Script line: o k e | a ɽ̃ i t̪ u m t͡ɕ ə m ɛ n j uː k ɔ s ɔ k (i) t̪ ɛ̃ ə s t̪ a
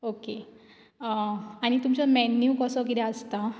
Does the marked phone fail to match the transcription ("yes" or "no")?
no